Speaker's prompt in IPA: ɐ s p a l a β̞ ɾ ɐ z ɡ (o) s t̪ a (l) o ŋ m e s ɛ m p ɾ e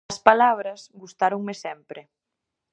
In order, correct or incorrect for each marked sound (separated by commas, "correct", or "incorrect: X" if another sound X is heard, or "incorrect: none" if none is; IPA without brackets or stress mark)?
incorrect: u, incorrect: ɾ